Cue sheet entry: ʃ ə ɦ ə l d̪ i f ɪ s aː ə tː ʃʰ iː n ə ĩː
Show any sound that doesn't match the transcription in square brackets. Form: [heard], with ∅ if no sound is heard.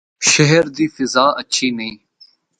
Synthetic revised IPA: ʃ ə ɦ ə [ɾ] d̪ [iː] f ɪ [z] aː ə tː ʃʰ iː n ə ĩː